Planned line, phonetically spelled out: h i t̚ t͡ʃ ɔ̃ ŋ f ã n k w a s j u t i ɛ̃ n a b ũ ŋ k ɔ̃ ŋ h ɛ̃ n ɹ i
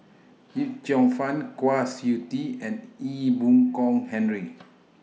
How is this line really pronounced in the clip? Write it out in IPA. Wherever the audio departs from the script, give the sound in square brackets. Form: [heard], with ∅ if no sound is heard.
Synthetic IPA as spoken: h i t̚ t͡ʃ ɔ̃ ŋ f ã n k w a s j u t i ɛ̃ n [i] b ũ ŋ k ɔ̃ ŋ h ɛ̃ n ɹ i